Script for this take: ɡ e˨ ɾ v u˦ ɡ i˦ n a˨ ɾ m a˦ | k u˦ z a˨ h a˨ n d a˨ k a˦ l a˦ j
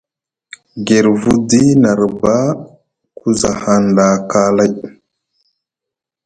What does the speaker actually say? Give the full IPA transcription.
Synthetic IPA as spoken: ɡ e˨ ɾ v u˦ d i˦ n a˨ ɾ b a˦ | k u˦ z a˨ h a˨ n d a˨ k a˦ l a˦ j